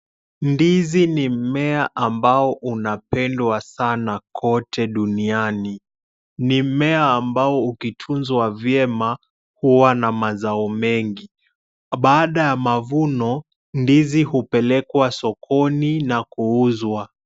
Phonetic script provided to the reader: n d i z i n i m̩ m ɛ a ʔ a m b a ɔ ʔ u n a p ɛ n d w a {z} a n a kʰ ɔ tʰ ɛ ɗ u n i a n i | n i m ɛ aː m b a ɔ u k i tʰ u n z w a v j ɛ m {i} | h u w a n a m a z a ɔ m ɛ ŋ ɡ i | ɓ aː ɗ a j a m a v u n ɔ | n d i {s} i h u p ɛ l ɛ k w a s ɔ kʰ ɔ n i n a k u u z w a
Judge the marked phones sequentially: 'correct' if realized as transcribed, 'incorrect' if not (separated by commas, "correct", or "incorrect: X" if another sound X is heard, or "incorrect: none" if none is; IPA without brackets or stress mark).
incorrect: s, incorrect: a, incorrect: z